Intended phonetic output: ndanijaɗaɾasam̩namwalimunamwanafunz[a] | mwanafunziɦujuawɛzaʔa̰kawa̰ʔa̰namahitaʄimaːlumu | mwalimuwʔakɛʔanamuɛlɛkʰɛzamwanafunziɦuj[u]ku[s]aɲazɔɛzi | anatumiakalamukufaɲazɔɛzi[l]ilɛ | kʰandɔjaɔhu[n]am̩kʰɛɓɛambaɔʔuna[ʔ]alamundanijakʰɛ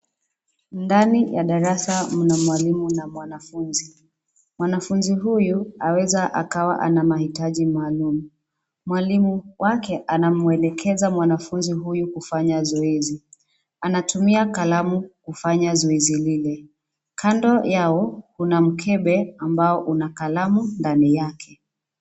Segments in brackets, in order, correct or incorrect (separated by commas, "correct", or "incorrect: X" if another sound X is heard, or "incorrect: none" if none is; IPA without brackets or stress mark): incorrect: i, correct, incorrect: f, correct, correct, incorrect: k